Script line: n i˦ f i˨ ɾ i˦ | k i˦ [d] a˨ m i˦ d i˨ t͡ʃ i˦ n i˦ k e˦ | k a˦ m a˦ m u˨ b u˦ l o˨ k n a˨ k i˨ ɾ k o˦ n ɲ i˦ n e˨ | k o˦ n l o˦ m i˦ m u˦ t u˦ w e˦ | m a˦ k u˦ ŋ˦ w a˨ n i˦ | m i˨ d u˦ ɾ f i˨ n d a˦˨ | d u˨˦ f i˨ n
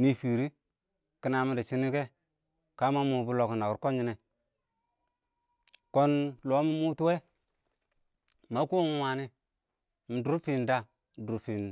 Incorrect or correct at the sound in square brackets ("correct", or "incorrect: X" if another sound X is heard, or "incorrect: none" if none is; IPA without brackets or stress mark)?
incorrect: n